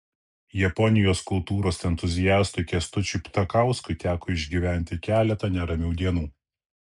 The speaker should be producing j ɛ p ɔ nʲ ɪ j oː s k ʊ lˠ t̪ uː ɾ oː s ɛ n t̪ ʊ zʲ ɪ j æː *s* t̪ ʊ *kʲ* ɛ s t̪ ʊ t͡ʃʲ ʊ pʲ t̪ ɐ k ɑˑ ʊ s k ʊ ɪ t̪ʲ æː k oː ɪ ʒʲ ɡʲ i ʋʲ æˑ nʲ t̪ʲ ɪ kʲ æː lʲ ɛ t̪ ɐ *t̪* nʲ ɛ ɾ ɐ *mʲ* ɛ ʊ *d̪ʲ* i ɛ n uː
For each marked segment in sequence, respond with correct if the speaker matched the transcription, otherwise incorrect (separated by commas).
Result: correct, correct, incorrect, correct, correct